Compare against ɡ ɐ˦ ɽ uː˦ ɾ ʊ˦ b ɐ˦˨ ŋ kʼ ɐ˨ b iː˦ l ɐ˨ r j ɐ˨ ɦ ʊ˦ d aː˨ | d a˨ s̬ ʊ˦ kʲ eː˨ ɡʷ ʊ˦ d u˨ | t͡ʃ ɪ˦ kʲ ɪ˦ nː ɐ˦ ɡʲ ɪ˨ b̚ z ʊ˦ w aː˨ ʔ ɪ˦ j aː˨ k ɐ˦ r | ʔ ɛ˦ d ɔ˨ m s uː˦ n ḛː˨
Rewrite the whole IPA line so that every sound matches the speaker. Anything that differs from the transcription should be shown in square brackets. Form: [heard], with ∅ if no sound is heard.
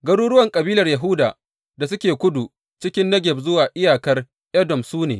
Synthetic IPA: ɡ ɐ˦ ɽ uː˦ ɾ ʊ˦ [w] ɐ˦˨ ŋ kʼ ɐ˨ b iː˦ l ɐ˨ r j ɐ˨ ɦ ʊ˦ d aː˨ | d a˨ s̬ ʊ˦ kʲ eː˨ [kʷ] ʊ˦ d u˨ | t͡ʃ ɪ˦ kʲ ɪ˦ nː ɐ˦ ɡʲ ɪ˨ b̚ z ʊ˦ w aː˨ ʔ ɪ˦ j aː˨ k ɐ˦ r | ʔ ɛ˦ d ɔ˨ m s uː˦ n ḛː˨